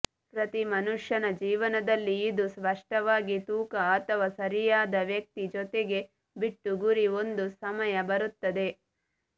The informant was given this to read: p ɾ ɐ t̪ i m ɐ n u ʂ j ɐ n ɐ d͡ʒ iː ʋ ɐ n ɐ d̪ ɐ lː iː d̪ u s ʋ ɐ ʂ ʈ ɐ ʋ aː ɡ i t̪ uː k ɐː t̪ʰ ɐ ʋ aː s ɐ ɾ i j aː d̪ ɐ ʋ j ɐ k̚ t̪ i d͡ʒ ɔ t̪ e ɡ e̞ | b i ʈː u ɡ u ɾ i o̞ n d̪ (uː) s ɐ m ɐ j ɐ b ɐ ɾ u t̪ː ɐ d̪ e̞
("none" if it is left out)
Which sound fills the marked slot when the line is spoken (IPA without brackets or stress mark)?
u